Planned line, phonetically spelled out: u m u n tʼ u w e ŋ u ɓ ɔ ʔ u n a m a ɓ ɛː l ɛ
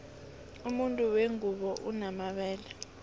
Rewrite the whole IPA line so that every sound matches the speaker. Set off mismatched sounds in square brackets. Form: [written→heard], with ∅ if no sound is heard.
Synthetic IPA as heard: u m u n tʼ u w e ŋ u ɓ ɔ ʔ u n a m a ɓ ɛː l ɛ